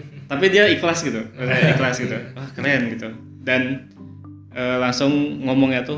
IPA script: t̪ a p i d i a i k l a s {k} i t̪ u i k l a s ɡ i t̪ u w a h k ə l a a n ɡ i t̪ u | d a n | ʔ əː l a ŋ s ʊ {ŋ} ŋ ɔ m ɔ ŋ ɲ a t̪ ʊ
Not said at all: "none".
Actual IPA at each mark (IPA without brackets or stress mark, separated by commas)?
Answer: ɡ, ŋ